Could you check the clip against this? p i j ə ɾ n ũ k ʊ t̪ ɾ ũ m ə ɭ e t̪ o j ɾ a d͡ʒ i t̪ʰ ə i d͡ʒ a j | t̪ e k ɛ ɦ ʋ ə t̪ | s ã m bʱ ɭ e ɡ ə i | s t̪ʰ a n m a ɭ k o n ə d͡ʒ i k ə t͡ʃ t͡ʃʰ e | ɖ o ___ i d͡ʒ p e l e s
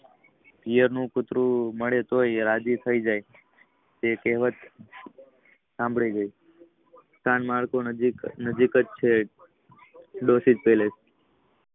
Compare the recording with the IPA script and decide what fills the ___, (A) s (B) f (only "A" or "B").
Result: A